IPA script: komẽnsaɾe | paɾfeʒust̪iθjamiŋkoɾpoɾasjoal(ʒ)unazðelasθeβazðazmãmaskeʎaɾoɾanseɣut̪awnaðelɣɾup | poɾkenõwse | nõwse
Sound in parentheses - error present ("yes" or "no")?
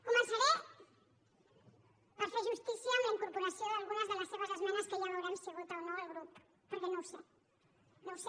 yes